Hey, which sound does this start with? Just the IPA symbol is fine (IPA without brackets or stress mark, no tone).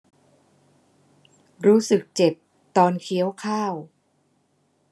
ɾ